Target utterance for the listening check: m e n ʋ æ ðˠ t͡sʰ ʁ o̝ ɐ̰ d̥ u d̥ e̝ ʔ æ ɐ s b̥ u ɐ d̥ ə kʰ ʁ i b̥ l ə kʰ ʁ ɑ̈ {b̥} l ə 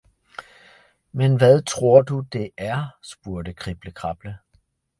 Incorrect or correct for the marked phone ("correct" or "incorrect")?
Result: correct